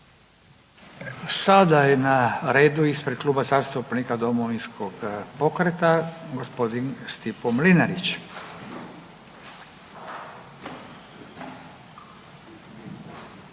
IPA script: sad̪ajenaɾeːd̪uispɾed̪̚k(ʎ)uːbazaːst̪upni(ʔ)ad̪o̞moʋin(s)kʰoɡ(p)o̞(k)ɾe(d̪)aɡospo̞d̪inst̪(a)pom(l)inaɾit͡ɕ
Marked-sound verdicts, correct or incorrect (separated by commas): incorrect, incorrect, correct, correct, correct, incorrect, incorrect, correct